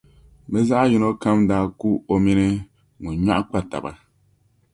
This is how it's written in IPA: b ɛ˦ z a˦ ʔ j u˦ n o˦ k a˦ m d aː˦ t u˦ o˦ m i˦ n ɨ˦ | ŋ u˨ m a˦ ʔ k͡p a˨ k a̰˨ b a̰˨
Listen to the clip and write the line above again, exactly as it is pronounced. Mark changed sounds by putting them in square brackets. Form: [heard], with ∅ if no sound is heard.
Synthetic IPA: b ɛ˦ z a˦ ʔ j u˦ n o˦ k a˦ m d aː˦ [k] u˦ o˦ m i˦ n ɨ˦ | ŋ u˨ [ɲ] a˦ ʔ k͡p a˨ [t] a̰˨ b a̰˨